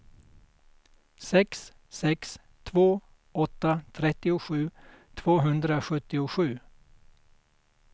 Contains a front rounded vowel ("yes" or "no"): no